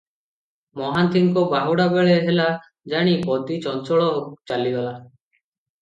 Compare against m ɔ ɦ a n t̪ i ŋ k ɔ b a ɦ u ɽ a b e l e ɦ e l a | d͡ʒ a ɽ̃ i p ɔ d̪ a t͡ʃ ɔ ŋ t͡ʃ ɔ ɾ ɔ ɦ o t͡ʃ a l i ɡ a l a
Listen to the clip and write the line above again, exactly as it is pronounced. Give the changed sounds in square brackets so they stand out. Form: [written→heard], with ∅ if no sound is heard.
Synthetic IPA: m ɔ ɦ a n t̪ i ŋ k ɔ b a ɦ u ɽ a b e [l→ɭ] e ɦ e l a | d͡ʒ a ɽ̃ i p ɔ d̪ [a→i] t͡ʃ ɔ [ŋ→n] t͡ʃ ɔ [ɾ→ɭ] ɔ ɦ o t͡ʃ a l i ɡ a l a